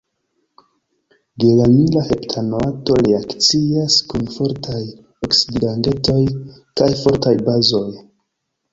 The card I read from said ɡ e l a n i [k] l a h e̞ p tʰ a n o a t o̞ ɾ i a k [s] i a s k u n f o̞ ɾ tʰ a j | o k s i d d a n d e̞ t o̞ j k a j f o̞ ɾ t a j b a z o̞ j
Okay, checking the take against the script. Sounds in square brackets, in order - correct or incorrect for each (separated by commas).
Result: incorrect, incorrect